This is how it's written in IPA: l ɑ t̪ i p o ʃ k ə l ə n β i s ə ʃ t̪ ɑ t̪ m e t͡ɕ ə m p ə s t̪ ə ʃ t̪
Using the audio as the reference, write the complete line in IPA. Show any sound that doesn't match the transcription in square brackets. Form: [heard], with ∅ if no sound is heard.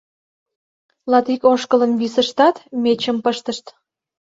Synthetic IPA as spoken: l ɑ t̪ i [k] o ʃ k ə l ə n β i s ə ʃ t̪ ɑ t̪ m e t͡ɕ ə m p ə [ʃ] t̪ ə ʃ t̪